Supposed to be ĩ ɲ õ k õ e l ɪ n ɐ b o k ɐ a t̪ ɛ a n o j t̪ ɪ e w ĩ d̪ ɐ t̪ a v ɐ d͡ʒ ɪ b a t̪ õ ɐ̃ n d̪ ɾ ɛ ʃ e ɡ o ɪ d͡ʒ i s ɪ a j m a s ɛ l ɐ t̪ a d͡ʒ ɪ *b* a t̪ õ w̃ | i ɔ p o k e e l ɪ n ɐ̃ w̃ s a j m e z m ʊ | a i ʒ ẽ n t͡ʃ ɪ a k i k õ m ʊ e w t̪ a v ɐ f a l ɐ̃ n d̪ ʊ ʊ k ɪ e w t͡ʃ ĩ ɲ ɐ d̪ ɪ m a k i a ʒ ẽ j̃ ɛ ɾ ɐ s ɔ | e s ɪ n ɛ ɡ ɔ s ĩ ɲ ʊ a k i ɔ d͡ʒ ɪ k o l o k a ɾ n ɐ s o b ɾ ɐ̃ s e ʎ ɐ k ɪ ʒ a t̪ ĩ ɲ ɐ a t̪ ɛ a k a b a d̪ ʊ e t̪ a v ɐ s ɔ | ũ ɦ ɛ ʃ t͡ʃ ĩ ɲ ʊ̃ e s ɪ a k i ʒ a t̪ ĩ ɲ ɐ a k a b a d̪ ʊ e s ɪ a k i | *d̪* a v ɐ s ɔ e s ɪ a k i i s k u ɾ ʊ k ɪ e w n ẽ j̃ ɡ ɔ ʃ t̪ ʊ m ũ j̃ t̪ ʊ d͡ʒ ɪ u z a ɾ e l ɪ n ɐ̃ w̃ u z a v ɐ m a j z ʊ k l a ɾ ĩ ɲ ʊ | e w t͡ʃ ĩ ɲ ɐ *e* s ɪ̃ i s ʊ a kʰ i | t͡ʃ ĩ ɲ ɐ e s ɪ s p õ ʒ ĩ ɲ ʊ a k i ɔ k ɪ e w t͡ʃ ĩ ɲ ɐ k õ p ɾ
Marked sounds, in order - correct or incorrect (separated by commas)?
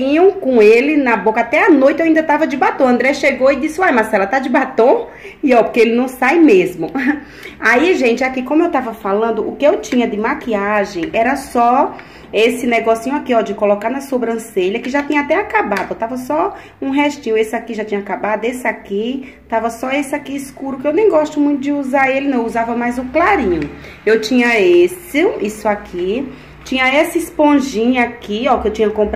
correct, incorrect, correct